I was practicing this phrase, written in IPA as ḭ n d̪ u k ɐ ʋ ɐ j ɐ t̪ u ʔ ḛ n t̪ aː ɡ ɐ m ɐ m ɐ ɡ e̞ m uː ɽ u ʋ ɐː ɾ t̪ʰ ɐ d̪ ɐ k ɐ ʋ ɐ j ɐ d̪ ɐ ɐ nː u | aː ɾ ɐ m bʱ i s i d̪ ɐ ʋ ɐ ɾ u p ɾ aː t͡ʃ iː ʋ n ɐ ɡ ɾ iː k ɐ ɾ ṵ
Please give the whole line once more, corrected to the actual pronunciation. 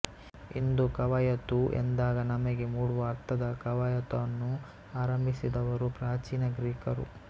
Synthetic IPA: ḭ n d̪ u k ɐ ʋ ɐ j ɐ t̪ u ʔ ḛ n d̪ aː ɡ ɐ n ɐ m ɐ ɡ e̞ m uː ɽ u ʋ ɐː ɾ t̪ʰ ɐ d̪ ɐ k ɐ ʋ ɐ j ɐ t̪ ɐ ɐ nː u | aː ɾ ɐ m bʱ i s i d̪ ɐ ʋ ɐ ɾ u p ɾ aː t͡ʃ iː n ɐ ɡ ɾ iː k ɐ ɾ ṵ